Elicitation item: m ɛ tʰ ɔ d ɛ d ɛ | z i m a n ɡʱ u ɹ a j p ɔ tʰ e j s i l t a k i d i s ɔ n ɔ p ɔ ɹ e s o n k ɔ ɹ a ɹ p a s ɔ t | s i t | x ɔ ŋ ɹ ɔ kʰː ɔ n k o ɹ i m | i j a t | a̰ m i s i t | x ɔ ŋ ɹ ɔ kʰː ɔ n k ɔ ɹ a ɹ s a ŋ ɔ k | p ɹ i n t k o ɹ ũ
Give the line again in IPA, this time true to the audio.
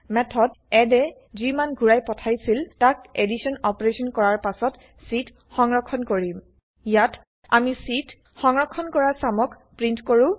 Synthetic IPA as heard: m ɛ tʰ ɔ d ɛ d ɛ | z i m a n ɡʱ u ɹ a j p ɔ tʰ a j s i l t a k e d i s ɔ n ɔ p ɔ ɹ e s ɔ n k ɔ ɹ a ɹ p a s ɔ t | s i t | x ɔ ŋ ɹ ɔ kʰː ɔ n k o ɹ i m | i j a t | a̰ m i s i t | x ɔ ŋ ɹ ɔ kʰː ɔ n k ɔ ɹ a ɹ s a m ɔ k | p ɹ i n t k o ɹ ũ